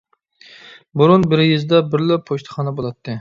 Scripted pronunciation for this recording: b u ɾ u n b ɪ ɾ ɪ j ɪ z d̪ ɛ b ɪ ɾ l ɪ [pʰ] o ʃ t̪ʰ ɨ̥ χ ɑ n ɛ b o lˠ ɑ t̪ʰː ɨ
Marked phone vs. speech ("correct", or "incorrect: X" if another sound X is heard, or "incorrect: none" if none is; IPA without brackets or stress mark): correct